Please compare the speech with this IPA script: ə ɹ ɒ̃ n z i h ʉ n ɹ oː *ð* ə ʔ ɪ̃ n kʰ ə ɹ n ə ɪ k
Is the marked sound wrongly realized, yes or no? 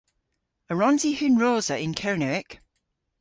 yes